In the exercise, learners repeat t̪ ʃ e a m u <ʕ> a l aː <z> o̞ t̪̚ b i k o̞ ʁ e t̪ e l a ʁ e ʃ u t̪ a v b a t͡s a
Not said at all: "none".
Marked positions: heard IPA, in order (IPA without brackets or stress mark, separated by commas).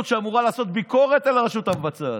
ʁ, s